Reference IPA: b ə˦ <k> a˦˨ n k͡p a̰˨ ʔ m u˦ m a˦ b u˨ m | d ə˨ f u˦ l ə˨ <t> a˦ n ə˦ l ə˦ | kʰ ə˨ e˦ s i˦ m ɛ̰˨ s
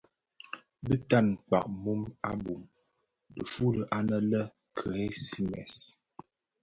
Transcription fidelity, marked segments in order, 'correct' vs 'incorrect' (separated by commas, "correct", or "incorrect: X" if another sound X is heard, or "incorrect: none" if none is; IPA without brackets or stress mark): incorrect: t, incorrect: ʔ